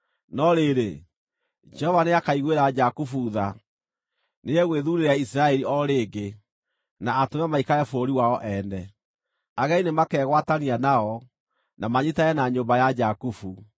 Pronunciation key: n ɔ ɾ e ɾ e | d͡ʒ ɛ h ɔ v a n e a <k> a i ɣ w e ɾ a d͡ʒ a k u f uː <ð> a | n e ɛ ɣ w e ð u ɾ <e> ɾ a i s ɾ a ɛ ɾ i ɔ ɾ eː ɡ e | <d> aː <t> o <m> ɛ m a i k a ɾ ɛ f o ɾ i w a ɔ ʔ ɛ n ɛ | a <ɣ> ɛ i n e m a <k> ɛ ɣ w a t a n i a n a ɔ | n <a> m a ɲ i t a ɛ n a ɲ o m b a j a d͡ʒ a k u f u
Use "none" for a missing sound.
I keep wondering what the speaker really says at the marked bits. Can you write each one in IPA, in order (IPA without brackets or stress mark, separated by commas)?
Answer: k, ð, e, n, t, m, ɣ, k, a